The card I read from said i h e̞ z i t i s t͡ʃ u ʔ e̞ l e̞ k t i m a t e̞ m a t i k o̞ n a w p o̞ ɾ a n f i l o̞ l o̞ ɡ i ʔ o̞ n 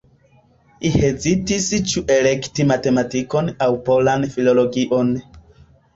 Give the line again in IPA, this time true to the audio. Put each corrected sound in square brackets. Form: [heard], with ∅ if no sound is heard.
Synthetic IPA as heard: i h e̞ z i t i s t͡ʃ u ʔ e̞ l e̞ k t i m a t e̞ m a t i k o̞ n a w p o̞ [l] a n f i l o̞ l o̞ ɡ i ʔ o̞ n